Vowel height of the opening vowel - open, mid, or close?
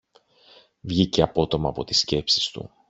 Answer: close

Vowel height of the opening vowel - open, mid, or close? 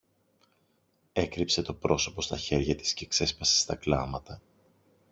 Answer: mid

